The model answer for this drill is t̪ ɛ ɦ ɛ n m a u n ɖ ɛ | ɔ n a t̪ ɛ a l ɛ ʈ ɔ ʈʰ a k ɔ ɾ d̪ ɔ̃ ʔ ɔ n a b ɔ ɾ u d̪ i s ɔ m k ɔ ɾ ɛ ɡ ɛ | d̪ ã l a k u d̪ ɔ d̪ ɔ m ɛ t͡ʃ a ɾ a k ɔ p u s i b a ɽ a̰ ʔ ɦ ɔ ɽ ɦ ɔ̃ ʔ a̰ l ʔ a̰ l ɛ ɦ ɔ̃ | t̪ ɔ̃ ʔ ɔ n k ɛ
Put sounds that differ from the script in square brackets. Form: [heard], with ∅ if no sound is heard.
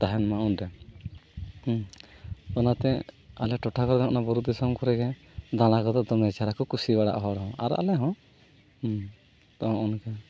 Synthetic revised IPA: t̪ [a] ɦ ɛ n m a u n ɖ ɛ | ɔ n a t̪ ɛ a l ɛ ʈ ɔ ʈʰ a k ɔ ɾ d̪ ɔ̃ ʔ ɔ n a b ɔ ɾ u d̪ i s ɔ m k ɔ ɾ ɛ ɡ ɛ | d̪ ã l a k [ɔ] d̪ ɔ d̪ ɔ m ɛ t͡ʃ a ɾ a k ɔ [k] u s i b a ɽ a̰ ʔ ɦ ɔ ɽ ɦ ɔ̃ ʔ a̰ [ɾ] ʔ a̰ l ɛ ɦ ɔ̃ | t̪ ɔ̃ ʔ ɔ n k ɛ